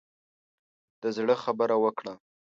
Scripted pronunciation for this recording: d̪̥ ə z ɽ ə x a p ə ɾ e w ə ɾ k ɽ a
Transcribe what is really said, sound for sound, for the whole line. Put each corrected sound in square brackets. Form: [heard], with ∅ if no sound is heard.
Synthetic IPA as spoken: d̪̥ ə z ɽ ə x a [b] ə ɾ [a] w ə [∅] k ɽ a